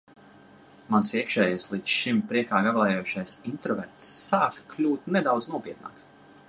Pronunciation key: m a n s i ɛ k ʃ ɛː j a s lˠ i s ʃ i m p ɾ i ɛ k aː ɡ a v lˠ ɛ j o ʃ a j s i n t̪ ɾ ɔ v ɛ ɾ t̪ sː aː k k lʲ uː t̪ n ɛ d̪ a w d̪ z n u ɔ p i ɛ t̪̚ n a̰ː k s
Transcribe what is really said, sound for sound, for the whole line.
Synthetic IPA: m a n s i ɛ k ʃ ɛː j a s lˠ i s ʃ i m p ɾ i ɛ k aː ɡ a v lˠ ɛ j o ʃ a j s i n t̪ ɾ ɔ v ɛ ɾ t̪ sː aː k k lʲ uː t̪ n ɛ d̪ a w d̪ z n u ɔ p i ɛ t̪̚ n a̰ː k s